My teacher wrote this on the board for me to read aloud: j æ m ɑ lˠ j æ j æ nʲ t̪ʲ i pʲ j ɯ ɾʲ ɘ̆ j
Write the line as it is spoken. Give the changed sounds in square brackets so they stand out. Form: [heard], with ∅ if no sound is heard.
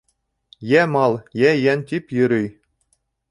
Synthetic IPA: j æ m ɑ lˠ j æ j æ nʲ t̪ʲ i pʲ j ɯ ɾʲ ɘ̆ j